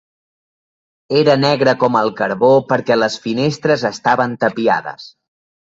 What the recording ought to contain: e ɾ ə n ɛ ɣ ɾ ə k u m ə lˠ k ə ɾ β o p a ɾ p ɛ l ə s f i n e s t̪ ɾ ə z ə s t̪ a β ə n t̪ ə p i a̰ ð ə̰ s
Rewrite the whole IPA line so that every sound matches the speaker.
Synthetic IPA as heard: e ɾ ə n ɛ ɣ ɾ ə k ɔ m ə lˠ k ə ɾ β o p ə ɾ k ɛ l ə s f i n e s t̪ ɾ ə z ə s t̪ a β ə n t̪ ə p i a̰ ð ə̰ s